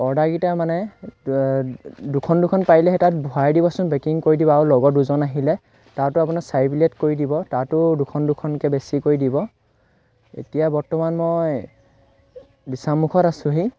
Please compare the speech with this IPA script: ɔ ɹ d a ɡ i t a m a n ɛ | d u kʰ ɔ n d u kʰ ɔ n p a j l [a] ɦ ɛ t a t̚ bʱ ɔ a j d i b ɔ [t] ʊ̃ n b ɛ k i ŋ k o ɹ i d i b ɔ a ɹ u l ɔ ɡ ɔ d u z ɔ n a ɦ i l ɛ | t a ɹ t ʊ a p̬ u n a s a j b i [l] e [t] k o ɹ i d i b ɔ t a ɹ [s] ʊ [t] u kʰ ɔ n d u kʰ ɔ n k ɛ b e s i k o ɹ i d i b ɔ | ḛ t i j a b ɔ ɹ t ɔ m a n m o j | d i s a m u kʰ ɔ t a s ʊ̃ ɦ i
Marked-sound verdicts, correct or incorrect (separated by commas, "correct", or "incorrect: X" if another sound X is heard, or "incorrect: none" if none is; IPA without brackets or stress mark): incorrect: ɛ, incorrect: s, correct, correct, incorrect: t, incorrect: d